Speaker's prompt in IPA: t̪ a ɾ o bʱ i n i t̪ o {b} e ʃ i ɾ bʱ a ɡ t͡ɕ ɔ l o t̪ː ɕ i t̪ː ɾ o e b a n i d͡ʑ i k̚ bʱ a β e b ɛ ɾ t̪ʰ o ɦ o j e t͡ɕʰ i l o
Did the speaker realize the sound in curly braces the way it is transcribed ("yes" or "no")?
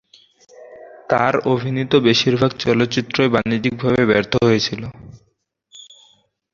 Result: yes